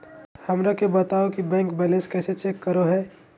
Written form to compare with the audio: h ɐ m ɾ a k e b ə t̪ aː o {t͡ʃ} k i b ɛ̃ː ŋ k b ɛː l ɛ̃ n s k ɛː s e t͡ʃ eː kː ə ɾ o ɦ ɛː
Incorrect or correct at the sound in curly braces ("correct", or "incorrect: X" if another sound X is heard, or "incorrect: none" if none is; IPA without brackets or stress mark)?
incorrect: none